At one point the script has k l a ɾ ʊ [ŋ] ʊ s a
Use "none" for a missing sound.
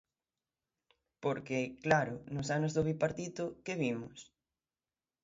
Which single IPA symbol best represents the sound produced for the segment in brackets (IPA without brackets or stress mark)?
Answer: n